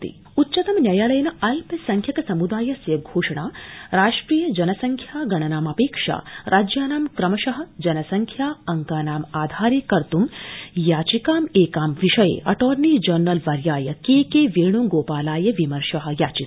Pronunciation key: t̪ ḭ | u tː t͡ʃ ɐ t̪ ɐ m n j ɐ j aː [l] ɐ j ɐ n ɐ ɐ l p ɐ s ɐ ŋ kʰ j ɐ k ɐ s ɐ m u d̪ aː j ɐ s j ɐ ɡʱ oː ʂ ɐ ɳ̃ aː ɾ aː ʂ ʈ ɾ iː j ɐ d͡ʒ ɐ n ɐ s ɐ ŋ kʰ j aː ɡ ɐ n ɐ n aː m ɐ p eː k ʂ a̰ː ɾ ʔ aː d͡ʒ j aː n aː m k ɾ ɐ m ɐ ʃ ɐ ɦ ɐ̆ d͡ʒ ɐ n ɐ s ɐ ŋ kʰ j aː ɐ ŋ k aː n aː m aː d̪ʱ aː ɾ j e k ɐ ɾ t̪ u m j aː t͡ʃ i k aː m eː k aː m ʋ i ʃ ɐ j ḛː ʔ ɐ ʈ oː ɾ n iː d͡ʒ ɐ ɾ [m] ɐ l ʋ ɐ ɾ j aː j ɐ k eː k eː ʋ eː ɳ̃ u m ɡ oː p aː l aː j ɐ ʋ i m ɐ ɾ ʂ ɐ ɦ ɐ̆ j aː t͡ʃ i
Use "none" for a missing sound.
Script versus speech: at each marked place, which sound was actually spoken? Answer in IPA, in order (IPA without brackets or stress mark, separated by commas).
l, n